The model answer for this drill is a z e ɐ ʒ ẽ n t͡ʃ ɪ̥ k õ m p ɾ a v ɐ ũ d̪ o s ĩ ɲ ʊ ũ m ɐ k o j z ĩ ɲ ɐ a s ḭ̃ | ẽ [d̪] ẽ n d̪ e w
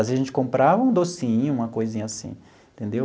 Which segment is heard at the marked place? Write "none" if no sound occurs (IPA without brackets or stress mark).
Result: t̪